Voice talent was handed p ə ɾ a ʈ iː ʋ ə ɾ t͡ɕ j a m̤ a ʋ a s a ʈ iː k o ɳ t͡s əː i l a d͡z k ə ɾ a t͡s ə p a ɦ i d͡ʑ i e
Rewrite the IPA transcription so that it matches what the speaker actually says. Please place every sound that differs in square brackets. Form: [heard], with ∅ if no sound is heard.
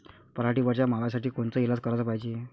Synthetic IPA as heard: p ə ɾ a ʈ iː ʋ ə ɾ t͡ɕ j a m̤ a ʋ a s a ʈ iː k o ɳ t͡s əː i l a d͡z k ə ɾ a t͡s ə p a ɦ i d͡ʑ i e